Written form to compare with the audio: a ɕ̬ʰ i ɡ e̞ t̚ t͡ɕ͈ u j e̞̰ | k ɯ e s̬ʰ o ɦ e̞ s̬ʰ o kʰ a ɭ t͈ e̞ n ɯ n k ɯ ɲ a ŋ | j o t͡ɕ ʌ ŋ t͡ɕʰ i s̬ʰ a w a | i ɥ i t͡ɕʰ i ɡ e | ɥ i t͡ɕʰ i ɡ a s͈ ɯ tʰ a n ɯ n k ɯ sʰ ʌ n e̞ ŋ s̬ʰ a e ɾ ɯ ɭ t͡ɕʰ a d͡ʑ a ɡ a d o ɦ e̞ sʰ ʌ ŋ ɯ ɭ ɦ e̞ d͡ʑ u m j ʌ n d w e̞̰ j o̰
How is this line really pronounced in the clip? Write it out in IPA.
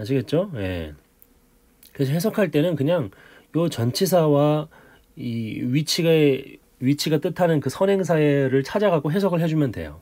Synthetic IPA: a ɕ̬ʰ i ɡ e̞ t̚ t͡ɕ͈ o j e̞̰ | k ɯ e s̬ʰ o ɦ e̞ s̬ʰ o kʰ a ɭ t͈ e̞ n ɯ n k ɯ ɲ a ŋ | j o t͡ɕ ʌ n t͡ɕʰ i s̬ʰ a w a | i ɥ i t͡ɕʰ i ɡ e | ɥ i t͡ɕʰ i ɡ a t͈ ɯ tʰ a n ɯ n k ɯ sʰ ʌ n e̞ ŋ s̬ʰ a e ɾ ɯ ɭ t͡ɕʰ a d͡ʑ a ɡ a ɡ o ɦ e̞ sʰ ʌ ɡ ɯ ɭ ɦ e̞ d͡ʑ u m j ʌ n d w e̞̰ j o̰